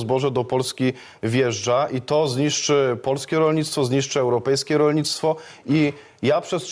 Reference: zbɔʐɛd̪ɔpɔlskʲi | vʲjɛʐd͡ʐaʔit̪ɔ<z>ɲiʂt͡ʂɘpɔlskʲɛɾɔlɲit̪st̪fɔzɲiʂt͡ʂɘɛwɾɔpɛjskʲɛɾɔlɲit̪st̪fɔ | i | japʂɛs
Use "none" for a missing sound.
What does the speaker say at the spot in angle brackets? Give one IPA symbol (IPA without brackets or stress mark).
z